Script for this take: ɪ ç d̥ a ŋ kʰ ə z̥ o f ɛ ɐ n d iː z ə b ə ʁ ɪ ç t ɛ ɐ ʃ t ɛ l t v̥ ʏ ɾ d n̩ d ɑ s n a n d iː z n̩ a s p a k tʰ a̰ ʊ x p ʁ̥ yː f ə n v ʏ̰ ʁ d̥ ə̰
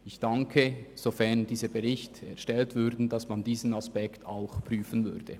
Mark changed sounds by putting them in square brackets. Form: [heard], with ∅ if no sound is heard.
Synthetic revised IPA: ɪ ç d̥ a ŋ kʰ ə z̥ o f ɛ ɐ n d iː z ə b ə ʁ ɪ ç t ɛ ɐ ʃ t ɛ l t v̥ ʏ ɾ d n̩ d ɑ s [m] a n d iː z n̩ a s p [ɛ] k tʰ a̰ ʊ x p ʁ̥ yː f ə n v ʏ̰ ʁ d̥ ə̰